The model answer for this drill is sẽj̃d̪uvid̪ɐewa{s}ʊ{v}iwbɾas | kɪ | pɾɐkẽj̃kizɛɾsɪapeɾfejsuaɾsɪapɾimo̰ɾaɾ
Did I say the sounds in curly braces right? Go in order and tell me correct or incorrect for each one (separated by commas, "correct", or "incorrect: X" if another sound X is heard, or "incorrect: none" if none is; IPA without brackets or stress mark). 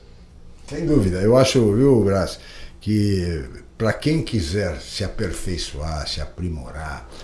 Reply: incorrect: ʃ, correct